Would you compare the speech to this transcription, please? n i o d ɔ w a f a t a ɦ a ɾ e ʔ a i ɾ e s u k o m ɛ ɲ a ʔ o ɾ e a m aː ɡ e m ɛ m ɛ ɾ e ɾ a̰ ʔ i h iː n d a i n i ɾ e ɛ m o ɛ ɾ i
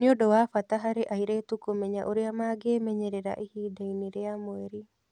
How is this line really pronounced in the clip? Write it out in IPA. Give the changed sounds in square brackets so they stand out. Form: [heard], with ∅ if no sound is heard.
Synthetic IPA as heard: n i o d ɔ w a f a t a ɦ a ɾ e ʔ a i ɾ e [t] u k o m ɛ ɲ a ʔ o ɾ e a m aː ɡ e m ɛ [ɲ] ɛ ɾ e ɾ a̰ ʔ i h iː [∅] d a i n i ɾ e [a] m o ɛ ɾ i